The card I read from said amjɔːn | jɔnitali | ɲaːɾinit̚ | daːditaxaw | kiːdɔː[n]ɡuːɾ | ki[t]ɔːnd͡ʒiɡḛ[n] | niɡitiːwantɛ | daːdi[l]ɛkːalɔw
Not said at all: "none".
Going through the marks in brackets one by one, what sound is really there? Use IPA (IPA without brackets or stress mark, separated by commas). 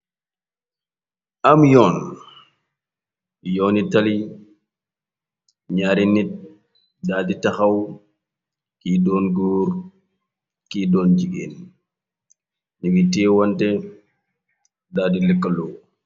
n, d, n, l